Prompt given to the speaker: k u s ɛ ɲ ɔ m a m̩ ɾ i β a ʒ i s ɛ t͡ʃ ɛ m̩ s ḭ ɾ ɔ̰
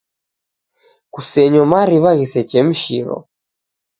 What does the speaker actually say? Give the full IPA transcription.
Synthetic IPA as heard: k u s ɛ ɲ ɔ m a ɾ i β a ɣ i s ɛ t͡ʃ ɛ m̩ ʃ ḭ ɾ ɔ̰